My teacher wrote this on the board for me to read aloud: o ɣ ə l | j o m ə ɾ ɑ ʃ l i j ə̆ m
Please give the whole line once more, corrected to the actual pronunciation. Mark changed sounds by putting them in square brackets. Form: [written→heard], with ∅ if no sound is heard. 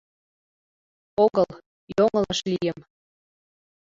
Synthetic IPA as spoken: o ɣ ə l | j o [m→ŋ] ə [ɾ→l] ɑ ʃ l i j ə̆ m